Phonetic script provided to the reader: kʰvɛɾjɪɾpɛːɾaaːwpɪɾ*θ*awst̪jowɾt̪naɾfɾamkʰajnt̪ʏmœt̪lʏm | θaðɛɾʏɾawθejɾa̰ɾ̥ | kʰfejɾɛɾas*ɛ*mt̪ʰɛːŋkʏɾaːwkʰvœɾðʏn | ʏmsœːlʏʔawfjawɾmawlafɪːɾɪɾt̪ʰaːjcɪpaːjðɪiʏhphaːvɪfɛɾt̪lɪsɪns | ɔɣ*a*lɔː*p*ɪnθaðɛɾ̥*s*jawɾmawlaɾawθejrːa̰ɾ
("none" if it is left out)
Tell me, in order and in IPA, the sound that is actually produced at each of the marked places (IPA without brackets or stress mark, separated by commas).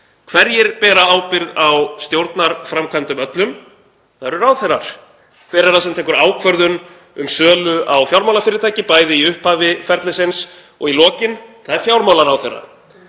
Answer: ð, ɛ, i, c, f